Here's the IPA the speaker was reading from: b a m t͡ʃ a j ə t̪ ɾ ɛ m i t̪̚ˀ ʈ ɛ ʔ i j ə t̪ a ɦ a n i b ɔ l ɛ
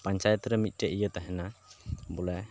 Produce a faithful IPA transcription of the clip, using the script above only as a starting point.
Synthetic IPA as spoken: p a ɲ t͡ʃ a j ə t̪ ɾ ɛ m i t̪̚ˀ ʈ ɛ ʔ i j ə t̪ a ɦ ɛ n a b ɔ l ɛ